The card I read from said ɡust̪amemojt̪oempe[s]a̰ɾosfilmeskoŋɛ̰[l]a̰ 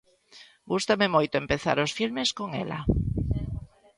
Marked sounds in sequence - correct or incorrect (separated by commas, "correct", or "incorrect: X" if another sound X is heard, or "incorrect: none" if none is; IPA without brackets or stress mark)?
incorrect: θ, correct